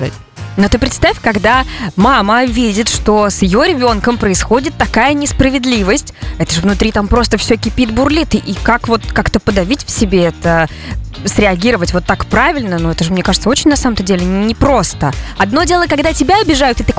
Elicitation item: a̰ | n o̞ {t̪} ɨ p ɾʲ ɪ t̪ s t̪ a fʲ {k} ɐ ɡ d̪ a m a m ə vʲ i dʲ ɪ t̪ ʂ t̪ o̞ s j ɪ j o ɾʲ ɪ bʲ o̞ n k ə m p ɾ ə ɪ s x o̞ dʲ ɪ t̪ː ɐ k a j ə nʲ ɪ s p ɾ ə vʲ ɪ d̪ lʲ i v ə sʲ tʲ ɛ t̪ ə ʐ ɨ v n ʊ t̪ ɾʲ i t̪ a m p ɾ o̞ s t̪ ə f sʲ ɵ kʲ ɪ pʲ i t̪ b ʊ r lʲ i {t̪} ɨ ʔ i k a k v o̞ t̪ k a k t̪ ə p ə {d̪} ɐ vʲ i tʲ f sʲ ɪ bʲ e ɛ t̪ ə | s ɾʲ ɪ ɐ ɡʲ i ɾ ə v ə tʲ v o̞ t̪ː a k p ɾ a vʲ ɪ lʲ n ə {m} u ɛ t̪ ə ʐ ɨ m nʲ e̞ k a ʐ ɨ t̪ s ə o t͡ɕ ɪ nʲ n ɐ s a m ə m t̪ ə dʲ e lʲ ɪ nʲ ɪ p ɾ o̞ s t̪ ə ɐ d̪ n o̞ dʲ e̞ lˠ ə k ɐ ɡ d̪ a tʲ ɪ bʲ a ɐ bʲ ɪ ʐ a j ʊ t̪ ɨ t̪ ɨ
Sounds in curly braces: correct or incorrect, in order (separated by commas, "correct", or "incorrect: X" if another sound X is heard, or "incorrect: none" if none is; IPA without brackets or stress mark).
correct, correct, correct, correct, incorrect: n